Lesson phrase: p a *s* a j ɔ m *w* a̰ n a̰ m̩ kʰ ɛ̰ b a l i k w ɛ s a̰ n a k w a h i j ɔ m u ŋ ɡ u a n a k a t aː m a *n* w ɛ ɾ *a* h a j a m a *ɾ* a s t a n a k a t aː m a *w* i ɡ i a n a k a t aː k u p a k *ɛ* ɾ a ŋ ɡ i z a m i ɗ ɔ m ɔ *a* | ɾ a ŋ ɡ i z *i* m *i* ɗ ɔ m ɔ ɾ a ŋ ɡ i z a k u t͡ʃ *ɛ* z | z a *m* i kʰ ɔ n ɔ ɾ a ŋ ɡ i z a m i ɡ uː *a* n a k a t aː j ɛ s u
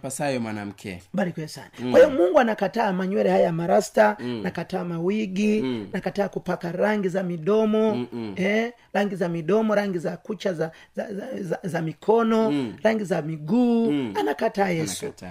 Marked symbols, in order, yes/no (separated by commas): yes, yes, no, no, yes, yes, no, no, no, yes, no, yes, yes